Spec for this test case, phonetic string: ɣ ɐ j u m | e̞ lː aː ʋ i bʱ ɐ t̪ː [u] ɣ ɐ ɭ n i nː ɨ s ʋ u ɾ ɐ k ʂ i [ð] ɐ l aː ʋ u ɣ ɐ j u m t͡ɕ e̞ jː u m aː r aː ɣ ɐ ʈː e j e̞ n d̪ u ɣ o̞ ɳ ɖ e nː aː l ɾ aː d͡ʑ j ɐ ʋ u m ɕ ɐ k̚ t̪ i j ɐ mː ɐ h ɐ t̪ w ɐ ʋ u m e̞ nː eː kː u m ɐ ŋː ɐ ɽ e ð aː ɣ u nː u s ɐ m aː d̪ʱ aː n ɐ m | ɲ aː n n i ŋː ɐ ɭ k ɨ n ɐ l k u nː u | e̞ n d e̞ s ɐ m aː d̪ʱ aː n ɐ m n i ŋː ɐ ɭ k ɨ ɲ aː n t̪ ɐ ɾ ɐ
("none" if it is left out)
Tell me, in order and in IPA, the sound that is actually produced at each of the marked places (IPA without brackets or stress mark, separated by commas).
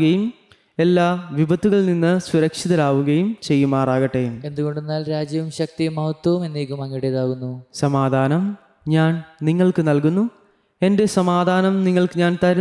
u, ð